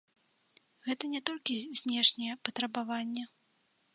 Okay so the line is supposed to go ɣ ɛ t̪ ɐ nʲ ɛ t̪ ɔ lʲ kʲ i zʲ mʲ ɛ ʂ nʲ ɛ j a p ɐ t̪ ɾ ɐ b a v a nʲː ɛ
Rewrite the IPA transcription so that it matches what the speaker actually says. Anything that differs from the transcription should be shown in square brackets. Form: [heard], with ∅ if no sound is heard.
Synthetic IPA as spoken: ɣ ɛ t̪ ɐ nʲ ɛ t̪ ɔ lʲ kʲ i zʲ [nʲ] ɛ ʂ nʲ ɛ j [ɛ] p ɐ t̪ ɾ ɐ b a v a nʲː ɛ